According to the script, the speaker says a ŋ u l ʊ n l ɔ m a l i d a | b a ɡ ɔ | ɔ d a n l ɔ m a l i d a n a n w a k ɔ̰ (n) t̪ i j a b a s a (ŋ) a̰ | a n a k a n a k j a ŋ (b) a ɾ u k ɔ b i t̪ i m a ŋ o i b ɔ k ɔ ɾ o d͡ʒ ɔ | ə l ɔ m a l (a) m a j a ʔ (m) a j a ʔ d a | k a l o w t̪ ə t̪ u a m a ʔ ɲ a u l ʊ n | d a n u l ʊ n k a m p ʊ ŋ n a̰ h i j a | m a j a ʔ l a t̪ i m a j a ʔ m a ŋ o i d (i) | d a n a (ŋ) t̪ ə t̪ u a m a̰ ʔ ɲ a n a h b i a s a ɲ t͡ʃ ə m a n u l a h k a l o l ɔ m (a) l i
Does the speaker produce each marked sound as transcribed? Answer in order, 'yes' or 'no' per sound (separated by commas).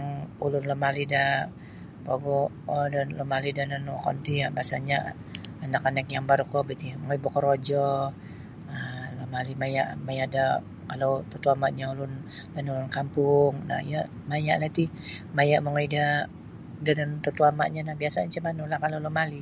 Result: yes, no, yes, no, yes, no, no, yes